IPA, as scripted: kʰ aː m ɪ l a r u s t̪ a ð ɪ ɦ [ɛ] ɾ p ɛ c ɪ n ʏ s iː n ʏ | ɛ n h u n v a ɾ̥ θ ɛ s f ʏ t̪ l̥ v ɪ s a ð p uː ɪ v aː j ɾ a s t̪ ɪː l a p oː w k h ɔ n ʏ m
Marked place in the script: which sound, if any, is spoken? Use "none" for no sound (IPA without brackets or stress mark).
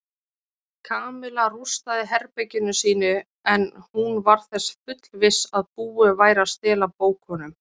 ɛ